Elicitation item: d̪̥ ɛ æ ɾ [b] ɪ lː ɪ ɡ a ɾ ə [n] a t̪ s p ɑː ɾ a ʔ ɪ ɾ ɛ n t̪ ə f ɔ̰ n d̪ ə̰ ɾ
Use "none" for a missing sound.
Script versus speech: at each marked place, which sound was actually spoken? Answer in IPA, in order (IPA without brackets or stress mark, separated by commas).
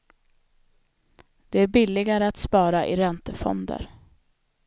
b, none